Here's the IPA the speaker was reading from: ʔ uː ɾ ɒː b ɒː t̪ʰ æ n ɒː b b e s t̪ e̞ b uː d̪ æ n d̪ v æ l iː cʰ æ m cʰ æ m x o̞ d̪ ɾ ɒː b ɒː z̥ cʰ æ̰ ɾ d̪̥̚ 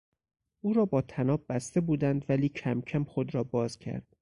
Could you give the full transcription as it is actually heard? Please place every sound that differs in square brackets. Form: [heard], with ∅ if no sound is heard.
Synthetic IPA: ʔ uː ɾ ɒː b ɒː t̪ʰ æ n ɒː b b [æ] s t̪ e̞ b uː d̪ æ n d̪ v æ l iː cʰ æ m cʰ æ m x o̞ d̪ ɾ ɒː b ɒː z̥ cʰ æ̰ ɾ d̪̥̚